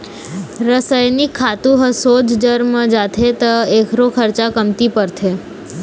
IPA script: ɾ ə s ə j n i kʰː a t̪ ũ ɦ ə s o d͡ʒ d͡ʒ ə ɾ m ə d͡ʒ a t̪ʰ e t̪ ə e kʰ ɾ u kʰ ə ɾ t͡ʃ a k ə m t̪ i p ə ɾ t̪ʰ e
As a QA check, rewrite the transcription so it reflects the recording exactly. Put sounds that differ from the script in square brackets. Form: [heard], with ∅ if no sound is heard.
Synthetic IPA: ɾ ə s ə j n i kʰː a t̪ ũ ɦ ə s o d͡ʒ d͡ʒ ə ɾ m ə d͡ʒ a t̪ʰ e t̪ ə e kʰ ɾ [o] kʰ ə ɾ t͡ʃ a k ə m t̪ i p ə ɾ t̪ʰ e